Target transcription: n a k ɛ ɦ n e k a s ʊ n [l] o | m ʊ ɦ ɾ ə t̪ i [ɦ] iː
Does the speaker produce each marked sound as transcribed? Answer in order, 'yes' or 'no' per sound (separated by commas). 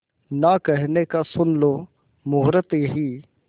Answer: yes, yes